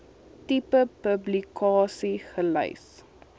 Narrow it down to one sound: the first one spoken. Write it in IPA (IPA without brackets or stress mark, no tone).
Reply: t